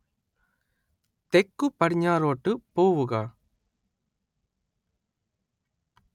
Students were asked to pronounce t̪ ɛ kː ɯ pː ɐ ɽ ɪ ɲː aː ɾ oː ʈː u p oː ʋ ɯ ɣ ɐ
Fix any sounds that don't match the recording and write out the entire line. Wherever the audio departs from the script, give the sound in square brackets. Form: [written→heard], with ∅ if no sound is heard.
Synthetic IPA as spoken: t̪ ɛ kː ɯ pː ɐ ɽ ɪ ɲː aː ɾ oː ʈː [u→ɯ] p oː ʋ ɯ ɣ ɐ